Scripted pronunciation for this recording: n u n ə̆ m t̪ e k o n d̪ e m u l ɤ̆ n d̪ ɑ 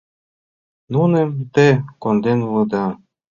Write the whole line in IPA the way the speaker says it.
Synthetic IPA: n u n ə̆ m t̪ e k o n d̪ e n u l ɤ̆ d̪ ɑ